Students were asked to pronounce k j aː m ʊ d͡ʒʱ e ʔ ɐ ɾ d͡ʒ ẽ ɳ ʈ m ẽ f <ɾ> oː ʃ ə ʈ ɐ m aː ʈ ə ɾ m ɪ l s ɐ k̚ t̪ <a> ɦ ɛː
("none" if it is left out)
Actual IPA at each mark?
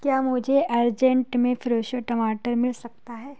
ɾ, a

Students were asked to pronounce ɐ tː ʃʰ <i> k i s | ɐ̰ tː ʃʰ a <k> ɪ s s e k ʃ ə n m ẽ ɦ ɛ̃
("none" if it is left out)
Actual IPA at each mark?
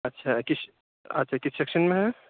a, k

